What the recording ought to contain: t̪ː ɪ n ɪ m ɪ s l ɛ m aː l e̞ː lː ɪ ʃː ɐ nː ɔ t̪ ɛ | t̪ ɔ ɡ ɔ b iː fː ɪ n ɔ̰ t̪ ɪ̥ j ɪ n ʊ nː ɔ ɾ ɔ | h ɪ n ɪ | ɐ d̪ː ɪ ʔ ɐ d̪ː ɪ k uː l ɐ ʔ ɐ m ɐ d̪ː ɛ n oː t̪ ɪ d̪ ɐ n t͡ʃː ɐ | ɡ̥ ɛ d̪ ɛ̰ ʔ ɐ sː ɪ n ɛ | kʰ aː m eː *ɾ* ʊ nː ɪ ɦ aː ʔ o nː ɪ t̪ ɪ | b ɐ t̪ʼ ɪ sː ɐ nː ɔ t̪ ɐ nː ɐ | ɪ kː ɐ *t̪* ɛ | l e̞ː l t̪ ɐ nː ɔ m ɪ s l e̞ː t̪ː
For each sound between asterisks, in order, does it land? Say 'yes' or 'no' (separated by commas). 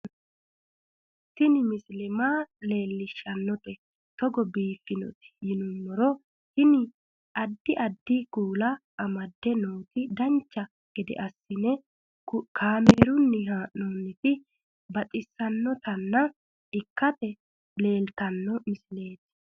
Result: yes, yes